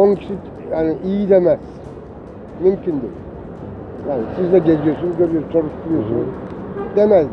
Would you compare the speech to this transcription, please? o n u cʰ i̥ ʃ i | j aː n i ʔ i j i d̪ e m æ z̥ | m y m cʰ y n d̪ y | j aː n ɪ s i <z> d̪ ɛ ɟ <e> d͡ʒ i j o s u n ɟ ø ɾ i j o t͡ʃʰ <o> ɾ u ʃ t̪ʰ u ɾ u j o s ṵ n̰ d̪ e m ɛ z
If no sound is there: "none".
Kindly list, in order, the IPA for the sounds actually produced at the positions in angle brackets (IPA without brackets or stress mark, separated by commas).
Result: z, e, o